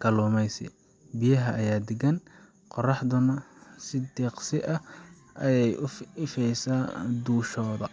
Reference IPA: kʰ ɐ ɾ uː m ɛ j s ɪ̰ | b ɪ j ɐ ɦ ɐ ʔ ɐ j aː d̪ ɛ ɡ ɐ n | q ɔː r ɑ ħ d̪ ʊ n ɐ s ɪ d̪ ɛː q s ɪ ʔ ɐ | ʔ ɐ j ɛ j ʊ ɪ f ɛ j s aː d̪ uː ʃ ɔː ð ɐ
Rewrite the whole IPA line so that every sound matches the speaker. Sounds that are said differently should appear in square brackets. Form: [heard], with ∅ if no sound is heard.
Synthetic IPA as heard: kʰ ɐ [l] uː m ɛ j s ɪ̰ | b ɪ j ɐ ɦ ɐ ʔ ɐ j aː d̪ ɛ ɡ ɐ n | q [ɔ] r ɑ ħ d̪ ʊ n ɐ s ɪ d̪ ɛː q s ɪ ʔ ɐ | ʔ ɐ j ɛ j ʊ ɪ f ɛ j s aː d̪ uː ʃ ɔː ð ɐ

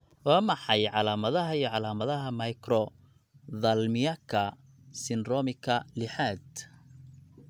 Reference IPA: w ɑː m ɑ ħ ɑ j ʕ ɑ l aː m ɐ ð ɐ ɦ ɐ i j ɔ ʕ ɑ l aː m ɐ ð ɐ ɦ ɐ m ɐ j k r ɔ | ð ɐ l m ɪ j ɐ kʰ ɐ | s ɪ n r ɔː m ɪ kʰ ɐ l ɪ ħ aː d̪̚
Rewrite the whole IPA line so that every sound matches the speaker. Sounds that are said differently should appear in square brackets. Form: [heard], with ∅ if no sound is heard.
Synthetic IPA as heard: w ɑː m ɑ ħ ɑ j ʕ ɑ l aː m ɐ ð ɐ ɦ ɐ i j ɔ ʕ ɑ l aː m ɐ ð ɐ ɦ ɐ m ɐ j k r ɔ | ð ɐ l m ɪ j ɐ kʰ ɐ | s ɪ n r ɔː m ɪ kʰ ɐ l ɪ ħ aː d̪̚

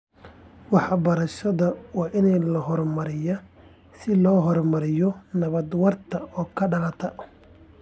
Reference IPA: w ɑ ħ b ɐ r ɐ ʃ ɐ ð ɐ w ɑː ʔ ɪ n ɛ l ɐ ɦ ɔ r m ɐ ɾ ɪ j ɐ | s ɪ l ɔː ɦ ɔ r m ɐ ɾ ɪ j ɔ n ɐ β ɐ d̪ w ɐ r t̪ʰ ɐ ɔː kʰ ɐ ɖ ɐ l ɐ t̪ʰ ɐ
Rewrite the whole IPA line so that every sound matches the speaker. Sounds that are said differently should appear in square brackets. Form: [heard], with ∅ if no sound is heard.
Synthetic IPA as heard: w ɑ ħ b ɐ [ɾ] ɐ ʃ ɐ ð ɐ w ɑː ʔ ɪ n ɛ l ɐ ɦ ɔ r m ɐ ɾ ɪ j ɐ | s ɪ l ɔː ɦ ɔ r m ɐ ɾ ɪ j ɔ n ɐ β ɐ d̪ w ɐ r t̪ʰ ɐ ɔː kʰ ɐ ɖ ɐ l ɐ t̪ʰ ɐ

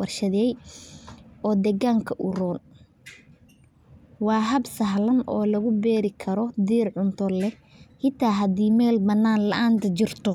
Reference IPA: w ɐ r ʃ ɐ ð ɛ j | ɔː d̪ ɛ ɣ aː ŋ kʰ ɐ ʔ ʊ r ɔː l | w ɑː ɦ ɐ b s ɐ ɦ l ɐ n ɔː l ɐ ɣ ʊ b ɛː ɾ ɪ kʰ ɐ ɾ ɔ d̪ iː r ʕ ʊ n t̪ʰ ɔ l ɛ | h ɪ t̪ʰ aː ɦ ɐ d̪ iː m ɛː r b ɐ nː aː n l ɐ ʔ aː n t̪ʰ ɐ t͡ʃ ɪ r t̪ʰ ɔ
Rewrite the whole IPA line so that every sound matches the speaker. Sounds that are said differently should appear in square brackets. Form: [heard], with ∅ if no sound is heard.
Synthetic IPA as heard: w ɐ r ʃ ɐ ð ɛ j | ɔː d̪ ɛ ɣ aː ŋ kʰ ɐ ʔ ʊ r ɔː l | w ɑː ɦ ɐ b s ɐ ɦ l ɐ n ɔː l ɐ ɣ ʊ b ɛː ɾ ɪ kʰ ɐ ɾ ɔ d̪ iː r ʕ ʊ n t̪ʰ ɔ l ɛ | h ɪ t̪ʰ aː ɦ ɐ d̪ iː m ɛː [l] b ɐ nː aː n l ɐ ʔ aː n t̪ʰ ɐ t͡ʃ ɪ r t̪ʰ ɔ

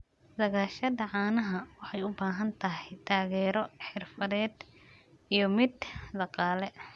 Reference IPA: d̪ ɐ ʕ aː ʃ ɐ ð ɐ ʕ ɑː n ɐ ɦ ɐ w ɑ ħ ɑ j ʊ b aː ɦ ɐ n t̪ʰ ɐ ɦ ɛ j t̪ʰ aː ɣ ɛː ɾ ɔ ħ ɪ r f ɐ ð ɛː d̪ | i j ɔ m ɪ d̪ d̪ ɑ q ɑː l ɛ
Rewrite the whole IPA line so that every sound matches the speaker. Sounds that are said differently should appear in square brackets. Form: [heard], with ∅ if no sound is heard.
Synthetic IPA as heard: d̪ ɐ [ɣ] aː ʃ ɐ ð ɐ ʕ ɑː n ɐ ɦ ɐ w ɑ ħ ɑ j ʊ b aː ɦ ɐ n t̪ʰ ɐ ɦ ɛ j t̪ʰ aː ɣ ɛː ɾ ɔ ħ ɪ r f ɐ ð ɛː d̪ | i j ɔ m ɪ d̪ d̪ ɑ q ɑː l ɛ

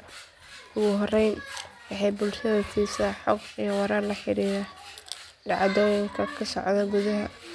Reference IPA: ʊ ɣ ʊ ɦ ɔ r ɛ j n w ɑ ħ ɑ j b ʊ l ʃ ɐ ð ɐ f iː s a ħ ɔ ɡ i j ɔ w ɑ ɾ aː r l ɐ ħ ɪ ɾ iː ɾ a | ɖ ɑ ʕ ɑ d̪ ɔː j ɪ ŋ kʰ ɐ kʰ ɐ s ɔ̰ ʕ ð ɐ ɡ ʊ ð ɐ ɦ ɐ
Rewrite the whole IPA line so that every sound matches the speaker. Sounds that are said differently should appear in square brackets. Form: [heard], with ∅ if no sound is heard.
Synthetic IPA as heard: ʊ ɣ ʊ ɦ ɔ r ɛ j n w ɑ ħ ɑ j b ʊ l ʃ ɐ ð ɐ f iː s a ħ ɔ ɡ i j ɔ w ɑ ɾ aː r l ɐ ħ ɪ ɾ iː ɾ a | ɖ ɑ ʕ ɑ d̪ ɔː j ɪ ŋ kʰ ɐ kʰ ɐ s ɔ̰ ʕ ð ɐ ɡ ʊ ð ɐ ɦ ɐ

